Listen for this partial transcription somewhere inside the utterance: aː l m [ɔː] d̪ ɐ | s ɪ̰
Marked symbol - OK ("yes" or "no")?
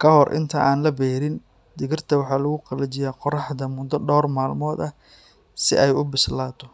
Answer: yes